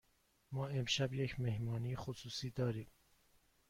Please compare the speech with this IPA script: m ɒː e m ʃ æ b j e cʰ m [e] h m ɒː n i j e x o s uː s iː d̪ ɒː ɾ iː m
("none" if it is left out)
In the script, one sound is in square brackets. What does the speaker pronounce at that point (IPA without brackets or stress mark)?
e